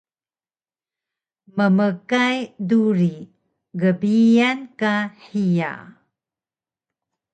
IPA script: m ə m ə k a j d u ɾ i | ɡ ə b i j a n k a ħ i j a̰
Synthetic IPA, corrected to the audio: m ə m ə k a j d u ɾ i | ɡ ə b i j a n k a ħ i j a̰